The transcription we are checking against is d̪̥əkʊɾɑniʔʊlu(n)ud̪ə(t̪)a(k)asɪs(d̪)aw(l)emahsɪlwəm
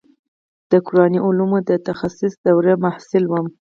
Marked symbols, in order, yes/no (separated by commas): no, yes, no, yes, no